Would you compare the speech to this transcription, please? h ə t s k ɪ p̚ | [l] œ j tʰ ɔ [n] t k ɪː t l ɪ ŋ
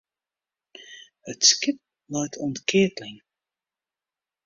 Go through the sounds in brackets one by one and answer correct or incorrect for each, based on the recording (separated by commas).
correct, correct